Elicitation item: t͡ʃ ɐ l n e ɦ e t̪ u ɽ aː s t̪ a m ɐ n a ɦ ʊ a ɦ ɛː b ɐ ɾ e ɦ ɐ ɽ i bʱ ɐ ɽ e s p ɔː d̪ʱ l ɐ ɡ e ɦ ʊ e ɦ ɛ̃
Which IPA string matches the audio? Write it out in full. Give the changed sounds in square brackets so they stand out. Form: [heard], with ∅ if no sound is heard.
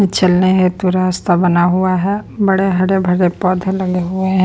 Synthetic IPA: t͡ʃ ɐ l n e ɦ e t̪ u [ɾ] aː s t̪ a [b] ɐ n a ɦ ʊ a ɦ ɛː b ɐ [ɽ] e ɦ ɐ ɽ [e] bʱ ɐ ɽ e [∅] p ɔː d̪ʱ l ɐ ɡ e ɦ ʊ e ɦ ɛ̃